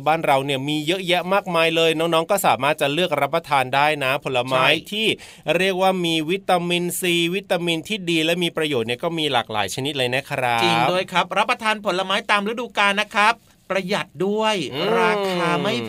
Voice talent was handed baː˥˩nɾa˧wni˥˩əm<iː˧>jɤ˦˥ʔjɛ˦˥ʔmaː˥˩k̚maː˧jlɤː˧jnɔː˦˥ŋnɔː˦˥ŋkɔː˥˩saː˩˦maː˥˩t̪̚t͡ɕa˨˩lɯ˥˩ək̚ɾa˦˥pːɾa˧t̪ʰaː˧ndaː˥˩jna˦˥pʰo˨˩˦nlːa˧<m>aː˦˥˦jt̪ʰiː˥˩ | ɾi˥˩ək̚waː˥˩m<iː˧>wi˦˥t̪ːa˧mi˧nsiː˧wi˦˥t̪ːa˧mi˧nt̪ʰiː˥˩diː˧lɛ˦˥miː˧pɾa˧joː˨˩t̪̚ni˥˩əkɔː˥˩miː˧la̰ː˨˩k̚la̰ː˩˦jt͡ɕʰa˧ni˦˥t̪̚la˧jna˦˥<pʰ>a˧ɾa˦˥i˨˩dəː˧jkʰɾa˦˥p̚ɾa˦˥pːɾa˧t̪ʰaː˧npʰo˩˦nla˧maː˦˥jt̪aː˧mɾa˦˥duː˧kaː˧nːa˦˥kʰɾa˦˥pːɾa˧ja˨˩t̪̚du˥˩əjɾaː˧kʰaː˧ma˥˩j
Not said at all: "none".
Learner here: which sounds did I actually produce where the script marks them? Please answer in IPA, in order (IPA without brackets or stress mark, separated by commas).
iː˧, m, iː˧, kʰ